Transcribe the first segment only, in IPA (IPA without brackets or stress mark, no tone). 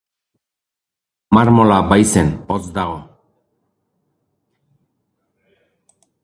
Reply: m